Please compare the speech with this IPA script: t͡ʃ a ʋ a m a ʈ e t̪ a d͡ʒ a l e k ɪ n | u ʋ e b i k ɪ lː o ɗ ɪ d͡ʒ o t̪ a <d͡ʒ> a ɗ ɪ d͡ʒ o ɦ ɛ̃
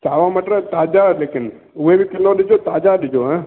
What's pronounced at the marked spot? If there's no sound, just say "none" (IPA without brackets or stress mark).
d͡ʒ